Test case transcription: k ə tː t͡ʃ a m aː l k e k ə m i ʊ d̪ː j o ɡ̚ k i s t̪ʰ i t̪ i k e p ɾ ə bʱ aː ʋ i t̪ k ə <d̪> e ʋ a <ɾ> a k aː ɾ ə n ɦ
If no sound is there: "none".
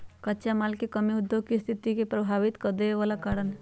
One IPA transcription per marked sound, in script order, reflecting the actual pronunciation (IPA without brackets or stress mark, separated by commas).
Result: d̪, l